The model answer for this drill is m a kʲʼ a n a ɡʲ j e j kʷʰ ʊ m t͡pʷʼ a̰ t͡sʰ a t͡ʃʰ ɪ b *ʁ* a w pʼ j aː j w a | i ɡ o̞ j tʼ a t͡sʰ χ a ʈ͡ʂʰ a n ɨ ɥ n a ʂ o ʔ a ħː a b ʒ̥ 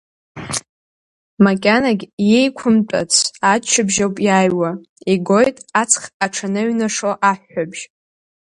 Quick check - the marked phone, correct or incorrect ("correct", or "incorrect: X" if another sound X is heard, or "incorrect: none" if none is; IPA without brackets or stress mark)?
incorrect: ʒ